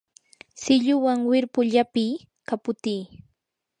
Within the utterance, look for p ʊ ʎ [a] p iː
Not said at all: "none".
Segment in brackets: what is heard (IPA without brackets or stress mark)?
a